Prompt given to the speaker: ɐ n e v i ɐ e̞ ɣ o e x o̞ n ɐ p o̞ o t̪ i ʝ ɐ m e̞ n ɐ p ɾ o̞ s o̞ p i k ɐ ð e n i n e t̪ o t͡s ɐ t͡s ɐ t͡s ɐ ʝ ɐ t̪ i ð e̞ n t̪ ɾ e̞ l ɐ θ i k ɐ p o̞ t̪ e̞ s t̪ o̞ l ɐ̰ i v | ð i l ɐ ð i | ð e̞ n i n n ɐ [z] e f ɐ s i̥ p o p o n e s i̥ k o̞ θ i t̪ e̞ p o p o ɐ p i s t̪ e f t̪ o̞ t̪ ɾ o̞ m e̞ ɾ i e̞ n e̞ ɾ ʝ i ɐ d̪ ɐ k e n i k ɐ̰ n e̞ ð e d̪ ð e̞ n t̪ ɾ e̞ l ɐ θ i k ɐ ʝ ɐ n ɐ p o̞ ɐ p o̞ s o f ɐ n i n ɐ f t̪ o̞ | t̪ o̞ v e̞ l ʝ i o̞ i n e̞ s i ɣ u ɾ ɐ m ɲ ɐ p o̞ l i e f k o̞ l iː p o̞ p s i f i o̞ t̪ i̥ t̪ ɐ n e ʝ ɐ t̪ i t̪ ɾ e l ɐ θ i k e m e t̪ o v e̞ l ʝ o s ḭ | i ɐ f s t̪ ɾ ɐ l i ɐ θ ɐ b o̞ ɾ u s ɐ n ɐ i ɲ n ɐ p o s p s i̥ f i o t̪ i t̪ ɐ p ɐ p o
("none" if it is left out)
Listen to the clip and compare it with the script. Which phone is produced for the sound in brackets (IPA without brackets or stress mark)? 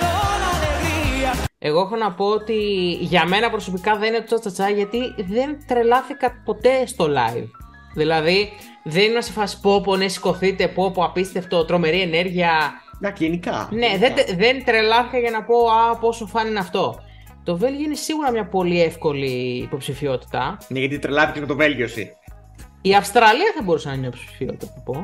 s